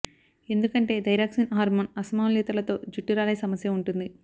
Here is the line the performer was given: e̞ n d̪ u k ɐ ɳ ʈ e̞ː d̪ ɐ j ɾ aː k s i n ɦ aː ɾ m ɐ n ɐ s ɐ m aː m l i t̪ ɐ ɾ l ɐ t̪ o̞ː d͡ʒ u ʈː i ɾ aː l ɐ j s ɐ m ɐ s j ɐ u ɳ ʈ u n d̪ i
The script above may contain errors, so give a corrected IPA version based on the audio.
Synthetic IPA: e̞ n d̪ u k ɐ ɳ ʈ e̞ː d̪ ɐ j ɾ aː k s i n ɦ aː ɾ m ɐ n ɐ s ɐ m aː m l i t̪ ɐ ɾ l ɐ t̪ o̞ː d͡ʒ u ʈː i ɾ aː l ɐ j s ɐ m ɐ s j ɐ u ɳ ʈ u n d̪ i